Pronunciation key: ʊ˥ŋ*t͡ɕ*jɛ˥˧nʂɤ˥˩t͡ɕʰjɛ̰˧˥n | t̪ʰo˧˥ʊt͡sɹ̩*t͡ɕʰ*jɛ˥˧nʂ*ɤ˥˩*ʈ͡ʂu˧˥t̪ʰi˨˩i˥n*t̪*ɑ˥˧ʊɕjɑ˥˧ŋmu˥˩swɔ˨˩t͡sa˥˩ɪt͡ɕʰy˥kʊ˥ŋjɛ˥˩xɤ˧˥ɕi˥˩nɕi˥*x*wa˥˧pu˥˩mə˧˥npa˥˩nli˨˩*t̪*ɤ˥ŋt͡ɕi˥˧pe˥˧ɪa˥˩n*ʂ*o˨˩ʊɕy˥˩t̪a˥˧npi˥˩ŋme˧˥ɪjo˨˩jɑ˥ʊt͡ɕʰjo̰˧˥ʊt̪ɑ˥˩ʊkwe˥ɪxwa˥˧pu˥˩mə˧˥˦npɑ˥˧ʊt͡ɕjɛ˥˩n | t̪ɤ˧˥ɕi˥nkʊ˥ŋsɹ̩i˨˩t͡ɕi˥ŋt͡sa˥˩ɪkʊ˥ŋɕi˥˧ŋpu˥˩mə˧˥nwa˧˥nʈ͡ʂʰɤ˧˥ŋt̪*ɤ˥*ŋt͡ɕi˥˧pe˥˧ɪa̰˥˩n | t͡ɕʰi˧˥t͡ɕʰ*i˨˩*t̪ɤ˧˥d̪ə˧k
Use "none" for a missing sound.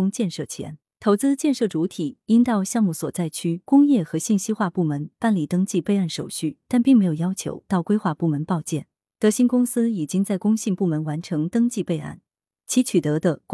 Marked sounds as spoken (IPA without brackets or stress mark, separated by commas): t͡ɕ, t͡ɕ, ɤ˥˩, t̪, x, t̪, ʂ, ɤ˥, y˨˩